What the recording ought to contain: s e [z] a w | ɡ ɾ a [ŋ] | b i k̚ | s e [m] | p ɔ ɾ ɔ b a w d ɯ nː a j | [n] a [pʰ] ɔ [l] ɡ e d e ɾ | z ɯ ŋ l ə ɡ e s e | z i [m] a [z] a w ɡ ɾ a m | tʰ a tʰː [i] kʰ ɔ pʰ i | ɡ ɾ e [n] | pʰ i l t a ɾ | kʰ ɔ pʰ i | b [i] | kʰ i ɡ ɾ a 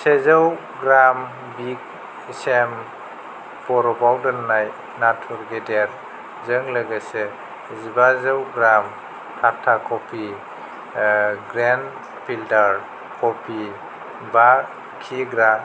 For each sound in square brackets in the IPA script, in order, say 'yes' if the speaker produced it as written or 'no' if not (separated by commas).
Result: yes, no, yes, yes, no, no, no, yes, no, yes, no